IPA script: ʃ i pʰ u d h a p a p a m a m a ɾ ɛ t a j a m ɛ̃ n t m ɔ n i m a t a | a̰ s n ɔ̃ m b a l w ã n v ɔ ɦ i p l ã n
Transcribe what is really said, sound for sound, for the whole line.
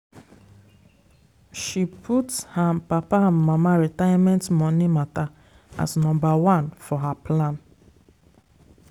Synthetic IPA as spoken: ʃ i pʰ u t h a p a p a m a m a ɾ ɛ t a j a m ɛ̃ n t m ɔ n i m a t a | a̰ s n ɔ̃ m b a w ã n f ɔ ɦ a p l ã n

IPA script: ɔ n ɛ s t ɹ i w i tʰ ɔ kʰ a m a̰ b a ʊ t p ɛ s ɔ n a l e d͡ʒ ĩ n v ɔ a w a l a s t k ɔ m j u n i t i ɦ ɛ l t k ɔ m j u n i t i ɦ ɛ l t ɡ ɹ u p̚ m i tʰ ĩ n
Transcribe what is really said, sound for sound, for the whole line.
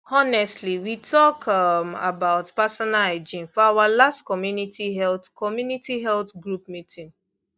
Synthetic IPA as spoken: ɔ n ɛ s t l i w i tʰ ɔ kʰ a m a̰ b a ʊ t p a s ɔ n a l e d͡ʒ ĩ n f ɔ a w a l a s t k ɔ m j u n i t i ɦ ɛ l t k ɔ m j u n i t i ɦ ɛ l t ɡ ɹ u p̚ m i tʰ ĩ n

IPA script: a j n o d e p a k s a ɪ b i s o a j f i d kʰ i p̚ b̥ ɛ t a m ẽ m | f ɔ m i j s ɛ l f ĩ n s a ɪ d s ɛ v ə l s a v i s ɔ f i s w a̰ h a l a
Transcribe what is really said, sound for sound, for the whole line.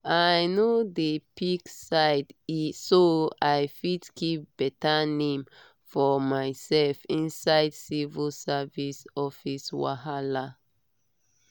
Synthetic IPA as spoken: a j n o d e p i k s a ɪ d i s o a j f i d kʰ i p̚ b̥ ɛ t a n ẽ m | f ɔ m a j s ɛ l f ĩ n s a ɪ d s i v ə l s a v i s ɔ f i s w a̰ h a l a

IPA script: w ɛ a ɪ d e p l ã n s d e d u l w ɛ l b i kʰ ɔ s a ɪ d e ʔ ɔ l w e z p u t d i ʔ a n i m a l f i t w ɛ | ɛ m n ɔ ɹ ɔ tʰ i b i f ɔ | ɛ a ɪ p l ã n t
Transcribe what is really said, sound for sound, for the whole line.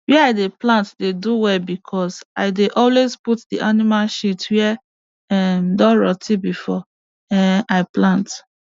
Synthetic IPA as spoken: w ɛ a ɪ d e p l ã n t d e d u w ɛ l b i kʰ ɔ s a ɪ d e ʔ ɔ l w e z p u t d i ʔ a n i m a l ʃ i t w ɛ | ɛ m d ɔ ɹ ɔ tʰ i b i f ɔ | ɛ a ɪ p l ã n t

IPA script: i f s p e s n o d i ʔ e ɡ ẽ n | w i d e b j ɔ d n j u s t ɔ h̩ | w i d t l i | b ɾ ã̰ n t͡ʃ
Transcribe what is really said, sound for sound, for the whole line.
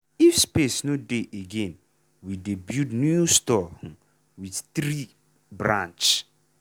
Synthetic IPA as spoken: i f s p e s n o d e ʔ e ɡ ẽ n | w i d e b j u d n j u s t ɔ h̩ | w i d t ɾ i | b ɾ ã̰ n t͡ʃ

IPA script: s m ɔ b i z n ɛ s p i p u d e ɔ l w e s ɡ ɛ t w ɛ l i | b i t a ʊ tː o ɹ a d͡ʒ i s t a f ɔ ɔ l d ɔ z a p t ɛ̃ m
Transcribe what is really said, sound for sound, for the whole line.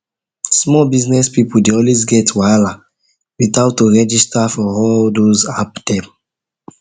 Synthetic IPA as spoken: s m ɔ b i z n ɛ s p i p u d e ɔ l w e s ɡ ɛ t w a l a | w i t a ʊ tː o ɹ ɛ d͡ʒ i s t a f ɔ ɔ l d o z a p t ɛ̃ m

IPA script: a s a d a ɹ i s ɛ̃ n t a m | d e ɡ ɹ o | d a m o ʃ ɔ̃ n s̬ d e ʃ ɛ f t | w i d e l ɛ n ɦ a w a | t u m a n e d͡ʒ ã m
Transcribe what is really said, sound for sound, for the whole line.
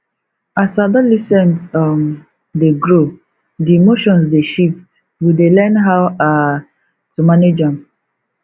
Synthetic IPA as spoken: a s a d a l i s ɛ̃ n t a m | d e ɡ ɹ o | d i m o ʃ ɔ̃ n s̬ d e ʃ i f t | w i d e l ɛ n ɦ a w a | t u m a n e d͡ʒ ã m

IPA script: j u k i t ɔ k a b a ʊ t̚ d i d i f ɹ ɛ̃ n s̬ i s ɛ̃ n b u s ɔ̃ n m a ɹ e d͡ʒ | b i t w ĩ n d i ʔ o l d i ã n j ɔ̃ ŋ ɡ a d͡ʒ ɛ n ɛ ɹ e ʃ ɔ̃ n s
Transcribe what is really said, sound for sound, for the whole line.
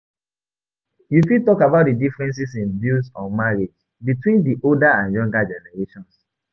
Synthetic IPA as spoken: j u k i t ɔ k a b a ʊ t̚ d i d i f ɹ ɛ̃ n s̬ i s ĩ n b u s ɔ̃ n m a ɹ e d͡ʒ | b i t w ĩ n d i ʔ o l d a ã n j ɔ̃ ŋ ɡ a d͡ʒ ɛ n ɛ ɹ e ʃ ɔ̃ n s

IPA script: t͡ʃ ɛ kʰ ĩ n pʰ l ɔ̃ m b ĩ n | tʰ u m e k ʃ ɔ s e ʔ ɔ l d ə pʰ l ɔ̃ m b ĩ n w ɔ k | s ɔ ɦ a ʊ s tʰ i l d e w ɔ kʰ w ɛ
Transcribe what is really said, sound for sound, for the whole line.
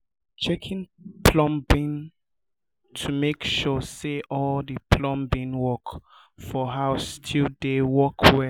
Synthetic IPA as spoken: t͡ʃ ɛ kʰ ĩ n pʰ l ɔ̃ m b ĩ n | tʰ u m e k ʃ ɔ s e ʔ ɔ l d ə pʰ l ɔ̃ m b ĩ n w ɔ k | f ɔ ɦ a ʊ s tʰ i l d e w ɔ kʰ w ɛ

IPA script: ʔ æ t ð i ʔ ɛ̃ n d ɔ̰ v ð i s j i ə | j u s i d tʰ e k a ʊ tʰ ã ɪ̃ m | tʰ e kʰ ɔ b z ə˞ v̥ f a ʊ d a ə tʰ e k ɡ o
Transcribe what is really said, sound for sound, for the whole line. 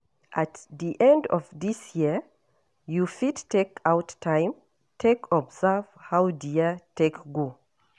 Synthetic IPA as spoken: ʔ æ t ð i ʔ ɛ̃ n d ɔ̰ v ð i s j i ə | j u f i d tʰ e k a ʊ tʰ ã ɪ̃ m | tʰ e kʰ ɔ b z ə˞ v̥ h a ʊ d i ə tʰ e k ɡ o

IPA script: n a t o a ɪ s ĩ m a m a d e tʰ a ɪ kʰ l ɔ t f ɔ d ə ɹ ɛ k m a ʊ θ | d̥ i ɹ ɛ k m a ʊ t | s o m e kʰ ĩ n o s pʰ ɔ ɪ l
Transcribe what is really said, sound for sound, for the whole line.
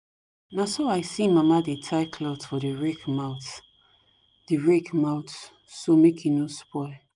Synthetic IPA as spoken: n a s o a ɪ s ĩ m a m a d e tʰ a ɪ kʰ l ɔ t f ɔ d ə ɹ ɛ k m a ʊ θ | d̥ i ɹ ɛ k m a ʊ t | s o m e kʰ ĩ n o s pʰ ɔ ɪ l

